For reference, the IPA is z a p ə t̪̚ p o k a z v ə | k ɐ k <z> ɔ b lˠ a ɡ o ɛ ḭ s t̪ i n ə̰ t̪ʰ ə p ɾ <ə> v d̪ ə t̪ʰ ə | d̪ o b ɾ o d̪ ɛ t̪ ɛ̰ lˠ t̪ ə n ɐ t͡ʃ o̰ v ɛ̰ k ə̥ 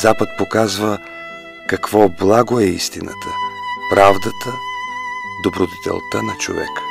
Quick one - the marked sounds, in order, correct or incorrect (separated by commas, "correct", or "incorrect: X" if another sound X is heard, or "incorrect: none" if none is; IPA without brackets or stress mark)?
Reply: incorrect: v, incorrect: a